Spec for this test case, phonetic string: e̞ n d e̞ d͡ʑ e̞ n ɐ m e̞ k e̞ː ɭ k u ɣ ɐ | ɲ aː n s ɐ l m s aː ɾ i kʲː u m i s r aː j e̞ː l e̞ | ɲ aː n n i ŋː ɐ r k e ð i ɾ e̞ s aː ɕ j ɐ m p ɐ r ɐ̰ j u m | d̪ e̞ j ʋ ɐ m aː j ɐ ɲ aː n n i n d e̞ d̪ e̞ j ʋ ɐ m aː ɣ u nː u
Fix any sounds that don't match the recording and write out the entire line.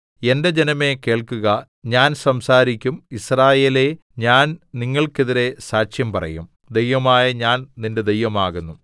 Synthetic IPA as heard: e̞ n d e̞ d͡ʑ e̞ n ɐ m e̞ k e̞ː ɭ k u ɣ ɐ | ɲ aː n s ɐ m s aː ɾ i kʲː u m i s r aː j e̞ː l e̞ | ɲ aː n n i ŋː ɐ ɭ k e ð i ɾ e̞ s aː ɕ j ɐ m p ɐ r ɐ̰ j u m | d̪ e̞ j ʋ ɐ m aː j ɐ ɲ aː n n i n d e̞ d̪ e̞ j ʋ ɐ m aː ɣ u nː u